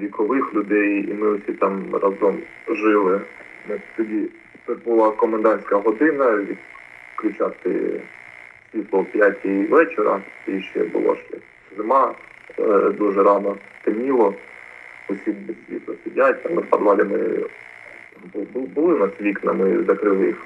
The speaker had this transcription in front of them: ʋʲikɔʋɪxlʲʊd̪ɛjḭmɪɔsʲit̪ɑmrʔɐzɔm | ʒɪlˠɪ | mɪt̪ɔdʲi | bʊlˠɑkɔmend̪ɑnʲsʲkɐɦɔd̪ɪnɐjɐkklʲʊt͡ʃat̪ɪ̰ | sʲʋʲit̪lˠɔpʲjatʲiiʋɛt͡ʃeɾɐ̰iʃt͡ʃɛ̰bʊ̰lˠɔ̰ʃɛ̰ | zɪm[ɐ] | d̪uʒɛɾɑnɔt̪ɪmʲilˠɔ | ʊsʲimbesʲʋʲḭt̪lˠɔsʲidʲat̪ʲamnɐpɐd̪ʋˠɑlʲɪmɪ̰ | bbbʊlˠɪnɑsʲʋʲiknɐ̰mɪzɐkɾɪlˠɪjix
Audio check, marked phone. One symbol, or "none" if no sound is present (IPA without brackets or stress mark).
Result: ɑ